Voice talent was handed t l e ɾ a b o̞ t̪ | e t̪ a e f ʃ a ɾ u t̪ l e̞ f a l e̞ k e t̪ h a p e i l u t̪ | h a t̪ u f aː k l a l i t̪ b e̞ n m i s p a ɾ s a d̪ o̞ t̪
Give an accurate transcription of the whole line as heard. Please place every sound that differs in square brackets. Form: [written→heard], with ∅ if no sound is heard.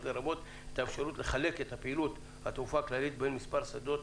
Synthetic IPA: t l e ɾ a b o̞ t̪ | e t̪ a e f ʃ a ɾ u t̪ l e̞ [f→χ] a l e̞ k e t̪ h a p e i l u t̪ | h a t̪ u f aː k l a l i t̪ b e̞ n m i s p a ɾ s a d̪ o̞ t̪